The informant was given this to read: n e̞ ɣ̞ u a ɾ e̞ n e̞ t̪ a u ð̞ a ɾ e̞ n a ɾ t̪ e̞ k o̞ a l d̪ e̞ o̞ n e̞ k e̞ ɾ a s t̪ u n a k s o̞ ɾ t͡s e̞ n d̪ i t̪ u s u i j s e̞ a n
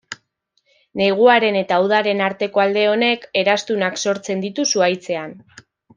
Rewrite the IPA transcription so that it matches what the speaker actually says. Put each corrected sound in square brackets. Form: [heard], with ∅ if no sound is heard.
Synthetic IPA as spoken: n e̞ ɣ̞ u a ɾ e̞ n e̞ t̪ a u ð̞ a ɾ e̞ n a ɾ t̪ e̞ k o̞ a l d̪ e̞ o̞ n e̞ k e̞ ɾ a s t̪ u n a k s o̞ ɾ t͡s e̞ n d̪ i t̪ u s u [a] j [t͡s] e̞ a n